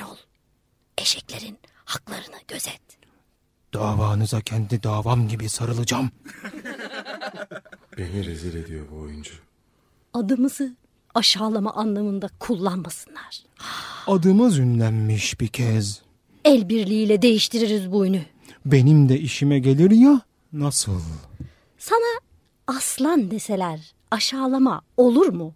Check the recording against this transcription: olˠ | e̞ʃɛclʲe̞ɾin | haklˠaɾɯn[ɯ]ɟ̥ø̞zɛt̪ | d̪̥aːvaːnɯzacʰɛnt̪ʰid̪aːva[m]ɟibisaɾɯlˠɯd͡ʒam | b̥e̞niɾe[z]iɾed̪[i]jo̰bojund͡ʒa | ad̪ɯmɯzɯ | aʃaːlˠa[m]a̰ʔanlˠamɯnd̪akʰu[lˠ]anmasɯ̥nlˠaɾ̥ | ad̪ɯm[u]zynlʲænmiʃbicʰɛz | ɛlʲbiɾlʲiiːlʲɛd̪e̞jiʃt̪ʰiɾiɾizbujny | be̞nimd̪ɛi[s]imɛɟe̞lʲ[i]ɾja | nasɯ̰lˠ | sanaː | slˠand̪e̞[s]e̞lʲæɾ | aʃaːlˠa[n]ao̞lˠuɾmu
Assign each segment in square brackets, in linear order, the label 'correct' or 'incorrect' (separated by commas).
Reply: correct, correct, correct, correct, correct, incorrect, incorrect, incorrect, correct, correct, incorrect